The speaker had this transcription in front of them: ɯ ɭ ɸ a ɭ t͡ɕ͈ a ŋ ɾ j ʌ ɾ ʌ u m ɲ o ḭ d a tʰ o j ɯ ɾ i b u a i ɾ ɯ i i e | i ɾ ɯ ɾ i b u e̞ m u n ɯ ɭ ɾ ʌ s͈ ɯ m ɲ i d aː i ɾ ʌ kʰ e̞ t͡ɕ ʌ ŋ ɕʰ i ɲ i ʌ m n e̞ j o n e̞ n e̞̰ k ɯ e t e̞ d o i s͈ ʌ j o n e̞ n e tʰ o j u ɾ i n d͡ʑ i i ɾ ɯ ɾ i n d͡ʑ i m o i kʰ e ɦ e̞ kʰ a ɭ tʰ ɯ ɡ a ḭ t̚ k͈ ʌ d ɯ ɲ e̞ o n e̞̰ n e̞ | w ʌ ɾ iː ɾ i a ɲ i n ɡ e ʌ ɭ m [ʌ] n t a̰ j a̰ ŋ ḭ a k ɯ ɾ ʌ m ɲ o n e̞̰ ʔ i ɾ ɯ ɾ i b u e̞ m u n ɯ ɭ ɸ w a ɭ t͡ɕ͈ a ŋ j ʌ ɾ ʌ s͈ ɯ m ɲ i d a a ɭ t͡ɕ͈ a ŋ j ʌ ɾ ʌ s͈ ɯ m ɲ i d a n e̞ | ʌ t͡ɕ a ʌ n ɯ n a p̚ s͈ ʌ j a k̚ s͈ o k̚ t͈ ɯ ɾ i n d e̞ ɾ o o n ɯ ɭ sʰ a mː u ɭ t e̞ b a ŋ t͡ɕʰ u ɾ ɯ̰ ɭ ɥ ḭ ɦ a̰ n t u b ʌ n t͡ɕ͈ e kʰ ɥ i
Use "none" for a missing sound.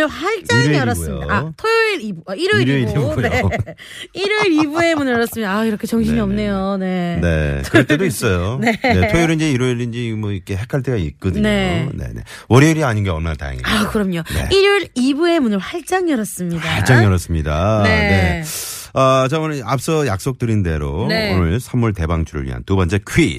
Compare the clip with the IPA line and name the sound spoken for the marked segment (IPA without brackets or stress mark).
a